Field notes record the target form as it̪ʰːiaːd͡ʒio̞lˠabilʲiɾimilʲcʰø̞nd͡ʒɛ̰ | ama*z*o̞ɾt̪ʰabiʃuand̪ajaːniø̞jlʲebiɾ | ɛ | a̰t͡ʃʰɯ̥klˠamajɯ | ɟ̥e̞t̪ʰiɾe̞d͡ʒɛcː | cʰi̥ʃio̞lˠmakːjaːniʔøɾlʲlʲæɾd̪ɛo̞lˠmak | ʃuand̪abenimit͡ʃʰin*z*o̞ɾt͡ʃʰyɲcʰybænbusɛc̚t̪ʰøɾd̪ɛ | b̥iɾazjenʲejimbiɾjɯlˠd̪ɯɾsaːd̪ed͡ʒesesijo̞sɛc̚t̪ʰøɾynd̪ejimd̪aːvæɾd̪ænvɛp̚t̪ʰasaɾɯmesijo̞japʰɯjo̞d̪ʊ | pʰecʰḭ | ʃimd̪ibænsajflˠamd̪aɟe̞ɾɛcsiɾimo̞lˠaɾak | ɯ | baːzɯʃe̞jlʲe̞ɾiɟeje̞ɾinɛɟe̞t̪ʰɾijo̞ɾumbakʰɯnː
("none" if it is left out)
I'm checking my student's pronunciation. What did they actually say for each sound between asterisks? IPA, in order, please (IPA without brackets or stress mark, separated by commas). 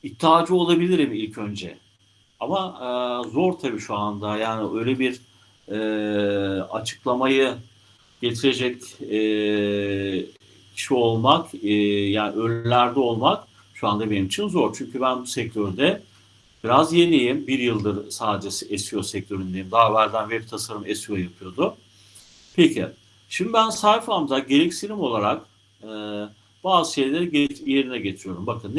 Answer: z, z